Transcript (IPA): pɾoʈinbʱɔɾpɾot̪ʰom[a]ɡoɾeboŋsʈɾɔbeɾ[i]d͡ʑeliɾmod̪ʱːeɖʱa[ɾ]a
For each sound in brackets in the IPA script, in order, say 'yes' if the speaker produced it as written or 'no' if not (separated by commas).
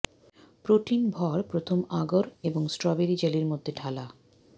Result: yes, yes, no